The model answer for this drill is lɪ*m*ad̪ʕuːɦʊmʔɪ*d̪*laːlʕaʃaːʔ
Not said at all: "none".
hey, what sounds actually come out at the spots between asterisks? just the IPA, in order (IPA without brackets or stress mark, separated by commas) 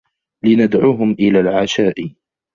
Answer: n, none